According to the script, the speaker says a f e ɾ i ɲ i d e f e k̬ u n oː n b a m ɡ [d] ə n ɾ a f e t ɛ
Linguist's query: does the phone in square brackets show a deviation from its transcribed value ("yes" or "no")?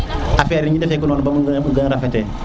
yes